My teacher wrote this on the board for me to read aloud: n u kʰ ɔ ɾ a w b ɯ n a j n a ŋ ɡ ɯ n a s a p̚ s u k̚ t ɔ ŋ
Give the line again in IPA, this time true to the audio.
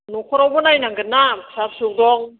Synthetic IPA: n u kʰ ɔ ɾ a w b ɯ n a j n a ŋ ɡ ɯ n a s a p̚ s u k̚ d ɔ ŋ